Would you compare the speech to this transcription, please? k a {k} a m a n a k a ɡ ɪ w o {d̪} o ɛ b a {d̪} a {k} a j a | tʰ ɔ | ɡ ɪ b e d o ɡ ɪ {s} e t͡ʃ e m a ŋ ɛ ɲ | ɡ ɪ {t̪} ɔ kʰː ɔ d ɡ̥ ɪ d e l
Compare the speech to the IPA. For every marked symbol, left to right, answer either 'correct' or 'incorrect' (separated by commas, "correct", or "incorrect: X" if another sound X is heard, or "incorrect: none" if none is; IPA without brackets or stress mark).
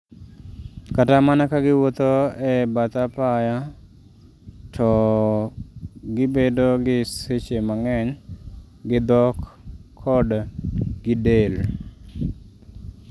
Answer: incorrect: t, incorrect: t̪, incorrect: t̪, incorrect: p, correct, incorrect: d̪